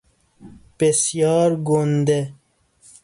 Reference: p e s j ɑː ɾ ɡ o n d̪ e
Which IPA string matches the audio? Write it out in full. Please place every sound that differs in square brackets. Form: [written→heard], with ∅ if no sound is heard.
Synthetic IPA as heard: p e s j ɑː ɾ ɡ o n d̪ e